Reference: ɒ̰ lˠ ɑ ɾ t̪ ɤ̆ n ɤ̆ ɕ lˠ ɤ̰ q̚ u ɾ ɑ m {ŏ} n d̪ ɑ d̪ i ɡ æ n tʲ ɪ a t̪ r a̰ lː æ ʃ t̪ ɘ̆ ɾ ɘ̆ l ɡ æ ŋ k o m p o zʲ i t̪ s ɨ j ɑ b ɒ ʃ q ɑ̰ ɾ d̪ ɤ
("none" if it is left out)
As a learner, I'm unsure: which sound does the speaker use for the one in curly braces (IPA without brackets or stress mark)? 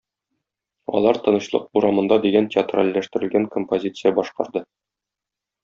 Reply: ɤ̆